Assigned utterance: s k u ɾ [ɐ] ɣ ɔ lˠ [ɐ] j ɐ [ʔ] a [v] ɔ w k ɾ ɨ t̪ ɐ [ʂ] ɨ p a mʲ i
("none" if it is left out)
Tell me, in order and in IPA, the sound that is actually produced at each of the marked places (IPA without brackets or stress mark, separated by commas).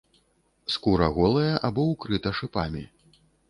ɐ, ɐ, ʔ, b, ʂ